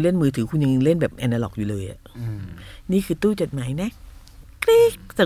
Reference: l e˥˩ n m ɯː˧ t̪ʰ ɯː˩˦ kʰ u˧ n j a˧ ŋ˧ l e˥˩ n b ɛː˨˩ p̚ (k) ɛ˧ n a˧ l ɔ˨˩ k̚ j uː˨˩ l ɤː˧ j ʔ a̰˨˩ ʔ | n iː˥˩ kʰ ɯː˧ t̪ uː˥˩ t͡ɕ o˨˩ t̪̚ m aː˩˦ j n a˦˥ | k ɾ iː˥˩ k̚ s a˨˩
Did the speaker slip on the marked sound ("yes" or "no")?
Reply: yes